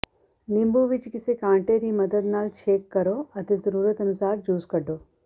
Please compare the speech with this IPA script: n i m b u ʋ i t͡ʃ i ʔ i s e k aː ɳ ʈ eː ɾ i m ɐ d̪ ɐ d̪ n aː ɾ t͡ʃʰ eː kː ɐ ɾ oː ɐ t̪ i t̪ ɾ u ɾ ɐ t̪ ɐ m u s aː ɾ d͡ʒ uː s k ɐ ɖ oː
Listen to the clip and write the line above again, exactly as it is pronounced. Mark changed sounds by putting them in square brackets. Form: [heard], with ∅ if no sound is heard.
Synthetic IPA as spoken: n i m b u ʋ i t͡ʃ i [k] i s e k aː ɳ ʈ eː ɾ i m ɐ d̪ ɐ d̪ n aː [l] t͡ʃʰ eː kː ɐ ɾ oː ɐ t̪ i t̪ ɾ u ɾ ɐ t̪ ɐ [n] u s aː ɾ d͡ʒ uː s k ɐ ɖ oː

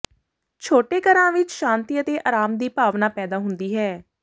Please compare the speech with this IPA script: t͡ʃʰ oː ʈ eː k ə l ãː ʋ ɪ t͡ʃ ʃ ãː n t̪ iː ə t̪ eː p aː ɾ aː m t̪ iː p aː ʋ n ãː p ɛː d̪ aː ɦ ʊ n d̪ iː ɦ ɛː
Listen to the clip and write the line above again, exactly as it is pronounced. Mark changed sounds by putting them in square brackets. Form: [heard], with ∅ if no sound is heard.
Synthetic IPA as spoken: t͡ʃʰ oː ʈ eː k ə [ɾ] ãː ʋ ɪ t͡ʃ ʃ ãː n t̪ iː ə t̪ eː [ʔ] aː ɾ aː m [d̪] iː p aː ʋ n [aː] p ɛː d̪ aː ɦ ʊ n d̪ iː ɦ ɛː

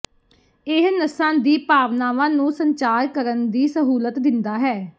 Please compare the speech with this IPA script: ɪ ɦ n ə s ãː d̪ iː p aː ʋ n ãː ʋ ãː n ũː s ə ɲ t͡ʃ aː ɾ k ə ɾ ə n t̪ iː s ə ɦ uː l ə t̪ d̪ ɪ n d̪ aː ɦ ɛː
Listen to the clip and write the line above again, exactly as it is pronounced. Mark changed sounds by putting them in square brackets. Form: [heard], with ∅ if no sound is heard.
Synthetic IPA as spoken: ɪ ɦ n ə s ãː d̪ iː p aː ʋ n [aː] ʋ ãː n ũː s ə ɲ t͡ʃ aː ɾ k ə ɾ ə n [d̪] iː s ə ɦ uː l ə t̪ d̪ ɪ n d̪ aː ɦ ɛː

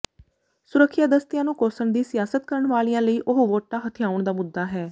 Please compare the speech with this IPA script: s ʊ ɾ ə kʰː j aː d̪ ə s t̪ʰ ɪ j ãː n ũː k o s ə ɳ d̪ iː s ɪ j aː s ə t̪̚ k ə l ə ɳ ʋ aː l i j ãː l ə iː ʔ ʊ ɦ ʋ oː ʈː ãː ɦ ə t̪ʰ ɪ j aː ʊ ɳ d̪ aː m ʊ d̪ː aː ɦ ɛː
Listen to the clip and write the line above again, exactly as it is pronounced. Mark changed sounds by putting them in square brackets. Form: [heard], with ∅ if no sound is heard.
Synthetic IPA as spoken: s ʊ ɾ ə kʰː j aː d̪ ə s [t̪] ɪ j ãː n ũː k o s ə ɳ d̪ iː s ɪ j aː s ə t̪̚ k ə [ɾ] ə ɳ ʋ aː l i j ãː l ə iː ʔ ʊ ɦ ʋ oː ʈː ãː ɦ ə t̪ʰ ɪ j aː ʊ ɳ d̪ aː m ʊ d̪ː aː ɦ ɛː

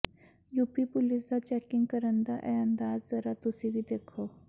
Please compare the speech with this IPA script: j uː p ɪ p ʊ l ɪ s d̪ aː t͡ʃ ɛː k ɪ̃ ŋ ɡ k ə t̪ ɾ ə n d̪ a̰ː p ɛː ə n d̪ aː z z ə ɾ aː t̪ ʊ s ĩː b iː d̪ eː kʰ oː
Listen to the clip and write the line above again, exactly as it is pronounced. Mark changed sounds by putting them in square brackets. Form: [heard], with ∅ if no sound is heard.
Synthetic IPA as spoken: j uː p [i] p ʊ l ɪ s d̪ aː t͡ʃ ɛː k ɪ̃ ŋ ɡ k ə [∅] ɾ ə n d̪ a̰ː [ʔ] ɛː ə n d̪ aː z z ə ɾ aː t̪ ʊ s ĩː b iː d̪ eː kʰ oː

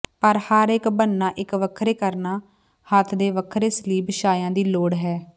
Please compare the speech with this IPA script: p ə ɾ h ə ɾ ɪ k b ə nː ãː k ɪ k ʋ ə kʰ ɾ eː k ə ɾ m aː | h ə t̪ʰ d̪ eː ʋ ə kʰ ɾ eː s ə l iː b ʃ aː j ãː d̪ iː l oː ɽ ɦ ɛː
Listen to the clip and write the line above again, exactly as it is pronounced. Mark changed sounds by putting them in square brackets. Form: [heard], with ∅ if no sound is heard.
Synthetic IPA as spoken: p ə ɾ h ə ɾ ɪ k b ə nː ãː [ʔ] ɪ k ʋ ə kʰ ɾ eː k ə ɾ [n] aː | h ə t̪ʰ d̪ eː ʋ ə kʰ ɾ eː s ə l iː b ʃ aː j ãː d̪ iː l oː ɽ ɦ ɛː

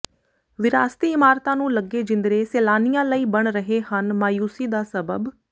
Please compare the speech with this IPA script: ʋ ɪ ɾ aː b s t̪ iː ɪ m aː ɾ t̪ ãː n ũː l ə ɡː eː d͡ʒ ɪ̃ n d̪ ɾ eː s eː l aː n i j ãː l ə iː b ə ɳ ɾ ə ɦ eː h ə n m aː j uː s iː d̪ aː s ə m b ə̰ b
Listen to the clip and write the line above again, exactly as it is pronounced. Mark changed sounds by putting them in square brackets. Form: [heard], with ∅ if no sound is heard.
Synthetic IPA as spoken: ʋ ɪ ɾ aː [∅] s t̪ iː ɪ m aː ɾ t̪ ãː n ũː l ə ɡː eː d͡ʒ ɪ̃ n d̪ ɾ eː s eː l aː n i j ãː l ə iː b ə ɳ ɾ ə ɦ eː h ə n m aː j uː s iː d̪ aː s ə [∅] b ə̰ b

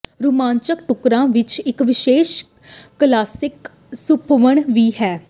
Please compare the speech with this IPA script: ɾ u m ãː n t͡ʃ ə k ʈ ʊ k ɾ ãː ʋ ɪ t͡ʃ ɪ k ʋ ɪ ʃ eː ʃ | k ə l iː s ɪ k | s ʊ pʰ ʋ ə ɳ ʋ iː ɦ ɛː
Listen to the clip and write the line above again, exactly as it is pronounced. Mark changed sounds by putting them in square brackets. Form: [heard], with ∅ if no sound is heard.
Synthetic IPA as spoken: ɾ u m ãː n t͡ʃ ə k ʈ ʊ k ɾ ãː ʋ ɪ t͡ʃ ɪ k ʋ ɪ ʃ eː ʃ | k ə l [aː] s ɪ k | s ʊ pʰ ʋ ə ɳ ʋ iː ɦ ɛː

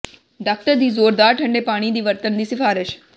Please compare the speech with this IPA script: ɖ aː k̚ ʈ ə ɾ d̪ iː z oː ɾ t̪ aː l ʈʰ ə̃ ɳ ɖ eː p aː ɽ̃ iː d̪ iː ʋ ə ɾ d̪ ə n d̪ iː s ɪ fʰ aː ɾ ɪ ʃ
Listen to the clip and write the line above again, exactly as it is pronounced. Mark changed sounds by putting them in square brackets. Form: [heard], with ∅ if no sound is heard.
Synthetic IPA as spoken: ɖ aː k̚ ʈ ə ɾ d̪ iː z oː ɾ [d̪] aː [ɾ] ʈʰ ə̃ ɳ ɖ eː p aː ɽ̃ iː d̪ iː ʋ ə ɾ [t̪] ə n d̪ iː s ɪ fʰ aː ɾ ɪ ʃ

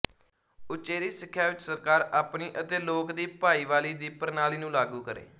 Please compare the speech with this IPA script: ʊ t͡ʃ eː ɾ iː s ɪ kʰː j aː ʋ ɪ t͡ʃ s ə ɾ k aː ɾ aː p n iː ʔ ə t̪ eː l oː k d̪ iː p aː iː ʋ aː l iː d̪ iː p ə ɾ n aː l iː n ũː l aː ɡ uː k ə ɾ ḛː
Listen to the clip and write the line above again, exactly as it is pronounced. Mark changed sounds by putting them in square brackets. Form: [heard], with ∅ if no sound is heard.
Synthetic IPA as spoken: ʊ t͡ʃ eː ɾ iː s ɪ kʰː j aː ʋ ɪ t͡ʃ s ə ɾ k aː ɾ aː p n iː ʔ ə t̪ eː l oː k d̪ iː p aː iː ʋ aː l iː d̪ iː p ə ɾ n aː l iː n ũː l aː ɡ uː k ə ɾ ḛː

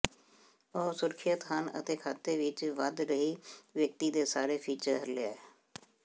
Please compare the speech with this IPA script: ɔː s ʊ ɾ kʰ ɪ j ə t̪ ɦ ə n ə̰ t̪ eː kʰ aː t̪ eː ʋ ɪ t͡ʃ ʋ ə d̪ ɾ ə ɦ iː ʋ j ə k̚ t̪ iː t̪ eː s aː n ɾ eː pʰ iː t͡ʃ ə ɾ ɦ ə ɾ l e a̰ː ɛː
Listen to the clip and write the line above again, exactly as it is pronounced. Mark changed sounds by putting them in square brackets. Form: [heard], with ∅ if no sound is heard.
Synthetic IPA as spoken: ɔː s ʊ ɾ kʰ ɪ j ə t̪ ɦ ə n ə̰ t̪ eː kʰ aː t̪ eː ʋ ɪ t͡ʃ ʋ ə d̪ ɾ ə ɦ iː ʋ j ə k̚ t̪ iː [d̪] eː s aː [∅] ɾ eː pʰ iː t͡ʃ ə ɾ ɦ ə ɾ l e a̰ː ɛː

